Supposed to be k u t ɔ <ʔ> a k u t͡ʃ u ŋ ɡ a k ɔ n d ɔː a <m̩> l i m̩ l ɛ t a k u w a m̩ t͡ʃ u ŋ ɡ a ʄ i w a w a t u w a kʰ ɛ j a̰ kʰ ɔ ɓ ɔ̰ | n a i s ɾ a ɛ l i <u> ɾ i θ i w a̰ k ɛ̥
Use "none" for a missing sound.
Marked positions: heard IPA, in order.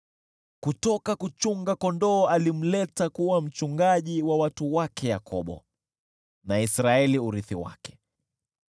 k, none, u

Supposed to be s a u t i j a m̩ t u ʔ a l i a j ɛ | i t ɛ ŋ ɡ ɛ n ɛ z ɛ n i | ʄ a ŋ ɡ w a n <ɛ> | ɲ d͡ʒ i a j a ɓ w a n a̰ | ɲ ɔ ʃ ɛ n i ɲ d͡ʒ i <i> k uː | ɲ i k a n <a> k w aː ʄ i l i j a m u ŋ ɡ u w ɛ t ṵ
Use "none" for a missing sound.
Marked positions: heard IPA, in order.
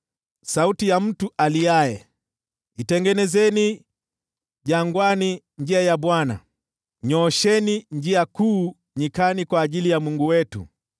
i, a, i

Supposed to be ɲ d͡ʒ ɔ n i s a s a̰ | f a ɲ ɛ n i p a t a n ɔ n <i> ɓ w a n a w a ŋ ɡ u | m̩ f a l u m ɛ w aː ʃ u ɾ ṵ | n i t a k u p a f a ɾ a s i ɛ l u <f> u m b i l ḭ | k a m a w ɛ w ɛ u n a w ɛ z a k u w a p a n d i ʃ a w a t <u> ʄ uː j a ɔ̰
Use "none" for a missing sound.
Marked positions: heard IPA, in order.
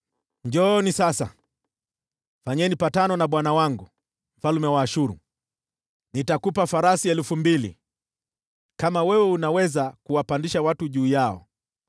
a, f, u

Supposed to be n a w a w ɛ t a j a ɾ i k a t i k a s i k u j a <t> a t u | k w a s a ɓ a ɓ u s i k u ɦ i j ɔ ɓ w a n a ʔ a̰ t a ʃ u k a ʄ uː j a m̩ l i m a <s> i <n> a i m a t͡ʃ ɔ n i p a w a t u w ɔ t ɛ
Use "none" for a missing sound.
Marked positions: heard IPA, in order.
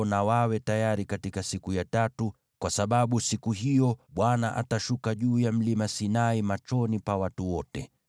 t, s, n

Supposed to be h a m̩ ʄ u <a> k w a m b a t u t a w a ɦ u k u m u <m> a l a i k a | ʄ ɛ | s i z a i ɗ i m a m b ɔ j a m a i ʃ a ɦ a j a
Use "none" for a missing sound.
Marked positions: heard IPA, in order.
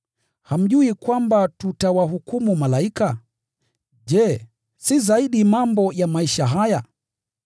i, m

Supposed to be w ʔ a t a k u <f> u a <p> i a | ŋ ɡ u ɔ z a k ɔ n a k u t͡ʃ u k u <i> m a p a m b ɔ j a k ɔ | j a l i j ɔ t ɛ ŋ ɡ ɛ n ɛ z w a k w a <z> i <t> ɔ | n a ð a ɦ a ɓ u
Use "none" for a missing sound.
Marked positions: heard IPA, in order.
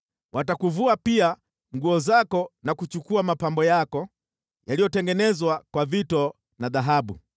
v, p, a, v, t

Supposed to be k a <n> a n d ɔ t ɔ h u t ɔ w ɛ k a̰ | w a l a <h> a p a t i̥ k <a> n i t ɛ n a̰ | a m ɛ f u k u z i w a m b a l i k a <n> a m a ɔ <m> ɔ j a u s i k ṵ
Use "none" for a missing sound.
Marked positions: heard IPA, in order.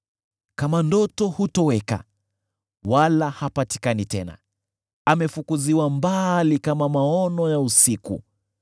m, h, a, m, n

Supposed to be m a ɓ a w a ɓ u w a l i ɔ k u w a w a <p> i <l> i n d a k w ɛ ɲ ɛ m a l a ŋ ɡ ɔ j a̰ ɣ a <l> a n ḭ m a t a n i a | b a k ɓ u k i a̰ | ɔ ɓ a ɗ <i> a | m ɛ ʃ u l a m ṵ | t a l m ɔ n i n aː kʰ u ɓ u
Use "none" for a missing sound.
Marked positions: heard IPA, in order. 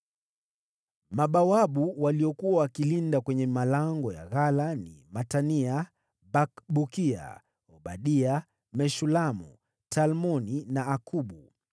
k, l, l, i

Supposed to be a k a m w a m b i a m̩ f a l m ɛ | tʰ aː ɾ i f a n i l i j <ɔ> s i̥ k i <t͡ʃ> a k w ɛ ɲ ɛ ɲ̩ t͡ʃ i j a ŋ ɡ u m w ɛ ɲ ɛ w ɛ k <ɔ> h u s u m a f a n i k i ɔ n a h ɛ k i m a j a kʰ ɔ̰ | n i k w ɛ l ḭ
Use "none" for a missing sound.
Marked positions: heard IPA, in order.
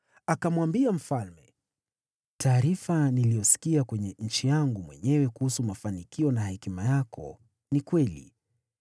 ɔ, none, u

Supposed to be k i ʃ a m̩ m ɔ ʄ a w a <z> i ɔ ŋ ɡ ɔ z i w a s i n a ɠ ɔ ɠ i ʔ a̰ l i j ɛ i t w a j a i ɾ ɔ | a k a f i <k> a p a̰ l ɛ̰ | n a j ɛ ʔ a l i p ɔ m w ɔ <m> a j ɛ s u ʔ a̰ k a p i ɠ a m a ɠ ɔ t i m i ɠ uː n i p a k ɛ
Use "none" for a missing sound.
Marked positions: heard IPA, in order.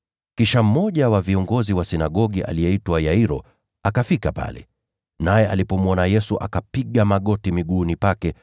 v, k, n

